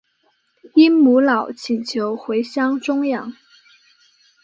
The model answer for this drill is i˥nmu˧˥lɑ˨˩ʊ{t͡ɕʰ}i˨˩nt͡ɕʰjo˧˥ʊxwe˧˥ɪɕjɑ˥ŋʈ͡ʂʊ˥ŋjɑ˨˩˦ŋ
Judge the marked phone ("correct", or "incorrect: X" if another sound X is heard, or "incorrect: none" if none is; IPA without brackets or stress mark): correct